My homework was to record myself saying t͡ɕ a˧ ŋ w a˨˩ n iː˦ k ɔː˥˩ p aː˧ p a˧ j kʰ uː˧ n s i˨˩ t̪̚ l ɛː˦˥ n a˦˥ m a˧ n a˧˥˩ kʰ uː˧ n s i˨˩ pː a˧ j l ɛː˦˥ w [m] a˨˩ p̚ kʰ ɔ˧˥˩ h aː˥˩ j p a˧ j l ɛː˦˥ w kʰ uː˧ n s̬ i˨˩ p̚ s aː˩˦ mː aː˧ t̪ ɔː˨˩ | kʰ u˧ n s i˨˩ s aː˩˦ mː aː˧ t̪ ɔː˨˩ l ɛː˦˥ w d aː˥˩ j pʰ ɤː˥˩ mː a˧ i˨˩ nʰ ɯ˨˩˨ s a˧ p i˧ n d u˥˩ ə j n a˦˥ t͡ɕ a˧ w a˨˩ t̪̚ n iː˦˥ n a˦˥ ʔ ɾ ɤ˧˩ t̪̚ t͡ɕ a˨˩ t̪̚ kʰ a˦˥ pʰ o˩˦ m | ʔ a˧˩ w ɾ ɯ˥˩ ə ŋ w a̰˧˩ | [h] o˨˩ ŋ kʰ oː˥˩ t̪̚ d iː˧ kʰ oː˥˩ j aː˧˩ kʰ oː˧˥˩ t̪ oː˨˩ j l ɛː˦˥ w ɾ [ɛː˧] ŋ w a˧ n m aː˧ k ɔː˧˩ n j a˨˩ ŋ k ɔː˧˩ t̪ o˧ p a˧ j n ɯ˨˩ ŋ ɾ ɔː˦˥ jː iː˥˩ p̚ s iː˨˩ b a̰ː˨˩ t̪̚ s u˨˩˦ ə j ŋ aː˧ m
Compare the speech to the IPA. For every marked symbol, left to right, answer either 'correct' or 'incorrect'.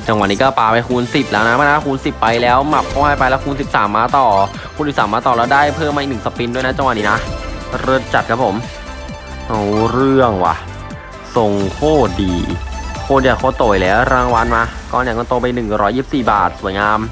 correct, incorrect, incorrect

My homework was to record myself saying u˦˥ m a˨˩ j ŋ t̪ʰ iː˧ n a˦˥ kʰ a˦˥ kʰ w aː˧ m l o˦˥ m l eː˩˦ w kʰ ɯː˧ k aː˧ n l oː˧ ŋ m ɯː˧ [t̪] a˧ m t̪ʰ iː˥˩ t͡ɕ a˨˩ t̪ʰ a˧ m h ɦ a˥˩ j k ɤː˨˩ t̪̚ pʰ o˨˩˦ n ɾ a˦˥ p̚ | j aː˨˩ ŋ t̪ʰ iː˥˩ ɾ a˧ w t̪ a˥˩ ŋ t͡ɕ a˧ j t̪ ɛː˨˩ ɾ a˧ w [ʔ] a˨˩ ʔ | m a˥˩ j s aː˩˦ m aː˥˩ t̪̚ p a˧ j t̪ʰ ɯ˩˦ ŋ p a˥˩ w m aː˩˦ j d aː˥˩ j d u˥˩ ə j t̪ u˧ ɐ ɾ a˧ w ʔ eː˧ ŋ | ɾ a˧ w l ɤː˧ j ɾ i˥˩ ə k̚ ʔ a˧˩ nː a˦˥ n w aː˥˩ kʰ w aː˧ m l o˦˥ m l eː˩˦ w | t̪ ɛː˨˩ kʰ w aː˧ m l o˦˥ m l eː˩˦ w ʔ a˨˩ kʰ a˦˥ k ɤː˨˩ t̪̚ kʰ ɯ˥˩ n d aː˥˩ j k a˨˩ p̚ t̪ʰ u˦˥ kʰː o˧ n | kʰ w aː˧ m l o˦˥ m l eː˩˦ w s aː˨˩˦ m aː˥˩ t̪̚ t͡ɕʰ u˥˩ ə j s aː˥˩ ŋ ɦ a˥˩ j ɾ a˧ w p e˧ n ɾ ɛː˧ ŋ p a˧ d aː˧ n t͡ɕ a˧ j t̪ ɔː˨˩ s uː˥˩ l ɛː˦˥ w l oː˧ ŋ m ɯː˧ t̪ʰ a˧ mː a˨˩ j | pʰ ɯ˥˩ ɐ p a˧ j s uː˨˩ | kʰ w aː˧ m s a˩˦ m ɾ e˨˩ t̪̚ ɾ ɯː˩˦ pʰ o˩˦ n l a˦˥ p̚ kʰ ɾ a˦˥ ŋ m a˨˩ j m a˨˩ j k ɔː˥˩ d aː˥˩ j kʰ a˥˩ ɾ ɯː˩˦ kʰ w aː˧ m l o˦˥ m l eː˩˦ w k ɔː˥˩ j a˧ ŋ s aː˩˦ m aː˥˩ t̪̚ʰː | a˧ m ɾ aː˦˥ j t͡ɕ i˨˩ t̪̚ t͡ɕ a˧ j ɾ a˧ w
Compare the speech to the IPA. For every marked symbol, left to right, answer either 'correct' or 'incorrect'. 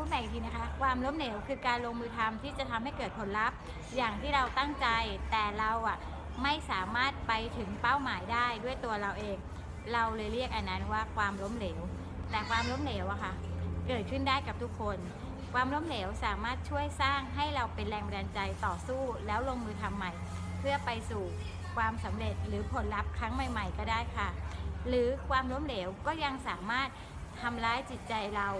incorrect, correct

